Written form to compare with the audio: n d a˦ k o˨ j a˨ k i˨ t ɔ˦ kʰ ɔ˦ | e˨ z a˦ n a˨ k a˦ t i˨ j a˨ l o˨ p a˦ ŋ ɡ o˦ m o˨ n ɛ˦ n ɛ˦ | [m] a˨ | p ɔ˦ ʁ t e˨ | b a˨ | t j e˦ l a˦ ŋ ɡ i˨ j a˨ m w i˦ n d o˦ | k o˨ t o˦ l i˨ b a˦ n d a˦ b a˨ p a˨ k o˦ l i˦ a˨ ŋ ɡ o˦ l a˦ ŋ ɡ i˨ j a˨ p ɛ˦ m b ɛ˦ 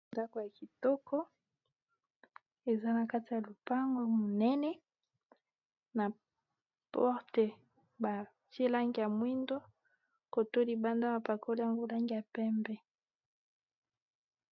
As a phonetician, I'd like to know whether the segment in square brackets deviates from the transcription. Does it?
yes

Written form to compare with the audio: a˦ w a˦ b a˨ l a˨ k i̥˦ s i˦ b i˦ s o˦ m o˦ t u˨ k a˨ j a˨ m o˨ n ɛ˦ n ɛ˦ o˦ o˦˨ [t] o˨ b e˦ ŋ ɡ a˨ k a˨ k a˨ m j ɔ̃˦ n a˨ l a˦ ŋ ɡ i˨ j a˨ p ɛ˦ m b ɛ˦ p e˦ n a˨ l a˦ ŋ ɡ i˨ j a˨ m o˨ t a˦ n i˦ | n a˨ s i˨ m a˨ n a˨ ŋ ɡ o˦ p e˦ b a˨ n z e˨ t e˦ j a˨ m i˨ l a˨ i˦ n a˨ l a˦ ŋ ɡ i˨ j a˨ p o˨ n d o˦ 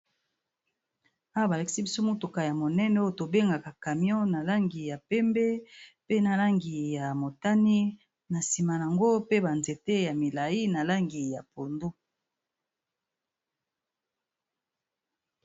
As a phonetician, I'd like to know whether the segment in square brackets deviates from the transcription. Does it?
no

